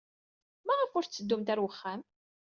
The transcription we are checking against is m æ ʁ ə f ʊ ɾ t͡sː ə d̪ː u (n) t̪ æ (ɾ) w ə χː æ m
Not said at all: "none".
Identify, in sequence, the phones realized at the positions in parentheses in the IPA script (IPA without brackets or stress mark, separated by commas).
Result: m, ɾ